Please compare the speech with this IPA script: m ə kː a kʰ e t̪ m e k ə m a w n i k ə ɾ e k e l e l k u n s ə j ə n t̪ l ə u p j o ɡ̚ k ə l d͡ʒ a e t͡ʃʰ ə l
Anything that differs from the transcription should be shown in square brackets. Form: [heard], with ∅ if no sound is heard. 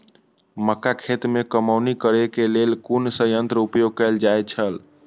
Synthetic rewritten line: m ə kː a kʰ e t̪ m e k ə m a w n i k ə ɾ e k e l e l k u n s ə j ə n t̪ [ɾ] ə u p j o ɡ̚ k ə l d͡ʒ a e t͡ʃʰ ə l

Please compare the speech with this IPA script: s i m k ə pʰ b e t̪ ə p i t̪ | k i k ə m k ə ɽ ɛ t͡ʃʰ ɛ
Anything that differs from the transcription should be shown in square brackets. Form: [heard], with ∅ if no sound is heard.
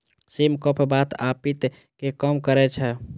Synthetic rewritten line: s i m k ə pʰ b [a] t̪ [a] p i t̪ | k [e] k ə m k ə [ɾ] ɛ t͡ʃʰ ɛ

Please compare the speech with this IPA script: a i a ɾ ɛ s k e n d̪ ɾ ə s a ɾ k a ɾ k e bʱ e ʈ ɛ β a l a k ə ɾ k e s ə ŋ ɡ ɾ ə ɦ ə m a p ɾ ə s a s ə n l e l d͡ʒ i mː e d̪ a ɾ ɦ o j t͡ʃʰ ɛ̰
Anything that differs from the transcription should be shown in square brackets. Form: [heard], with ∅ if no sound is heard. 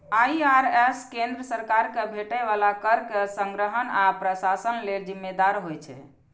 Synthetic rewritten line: a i a ɾ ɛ s k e n d̪ ɾ ə s [ə] ɾ k a ɾ k e bʱ e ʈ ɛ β a l a k ə ɾ k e s ə ŋ ɡ ɾ ə ɦ ə [n] a p ɾ ə s a s ə n l e l d͡ʒ i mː e d̪ a ɾ ɦ o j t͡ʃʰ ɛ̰

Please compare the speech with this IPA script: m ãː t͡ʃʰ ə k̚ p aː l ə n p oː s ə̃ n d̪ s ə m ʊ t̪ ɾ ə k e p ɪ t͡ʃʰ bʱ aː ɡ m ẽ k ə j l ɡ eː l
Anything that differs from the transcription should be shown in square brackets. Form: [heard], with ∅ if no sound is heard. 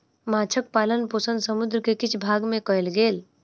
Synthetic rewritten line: m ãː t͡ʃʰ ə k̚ p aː l ə n p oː s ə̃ n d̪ s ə m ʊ [d̪] ɾ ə k e [k] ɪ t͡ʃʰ bʱ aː ɡ m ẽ k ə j l ɡ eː l

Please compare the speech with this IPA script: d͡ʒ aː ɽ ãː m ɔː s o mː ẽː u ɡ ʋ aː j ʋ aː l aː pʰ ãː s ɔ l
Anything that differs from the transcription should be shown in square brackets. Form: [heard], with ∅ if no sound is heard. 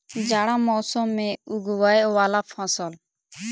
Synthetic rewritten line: d͡ʒ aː ɽ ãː m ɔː s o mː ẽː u ɡ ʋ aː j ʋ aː l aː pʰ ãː s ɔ l

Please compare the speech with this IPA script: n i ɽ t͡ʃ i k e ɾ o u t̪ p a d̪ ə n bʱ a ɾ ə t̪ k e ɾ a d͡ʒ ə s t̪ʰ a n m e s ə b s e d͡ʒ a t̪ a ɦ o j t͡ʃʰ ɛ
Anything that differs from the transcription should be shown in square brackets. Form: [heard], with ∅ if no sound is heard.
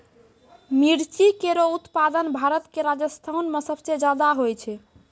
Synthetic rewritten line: [m] i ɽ t͡ʃ i k e ɾ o u t̪ p a d̪ ə n bʱ a ɾ ə t̪ k e ɾ a d͡ʒ ə s t̪ʰ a n m e s ə b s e d͡ʒ a [d̪] a ɦ o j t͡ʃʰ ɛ

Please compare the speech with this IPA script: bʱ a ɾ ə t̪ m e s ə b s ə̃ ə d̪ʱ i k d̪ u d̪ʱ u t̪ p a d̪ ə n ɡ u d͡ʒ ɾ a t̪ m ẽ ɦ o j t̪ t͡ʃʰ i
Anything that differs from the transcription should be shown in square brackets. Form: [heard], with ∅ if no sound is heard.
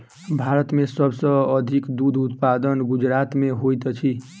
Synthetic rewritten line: bʱ a ɾ ə t̪ m e s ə b s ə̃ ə d̪ʱ i k d̪ u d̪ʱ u t̪ p a d̪ ə n ɡ u d͡ʒ ɾ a t̪ m [e] ɦ o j t̪ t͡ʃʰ i

